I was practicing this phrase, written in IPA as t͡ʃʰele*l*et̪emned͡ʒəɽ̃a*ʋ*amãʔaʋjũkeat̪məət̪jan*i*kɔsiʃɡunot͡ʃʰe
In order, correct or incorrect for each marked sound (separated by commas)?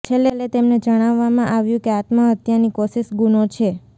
correct, incorrect, correct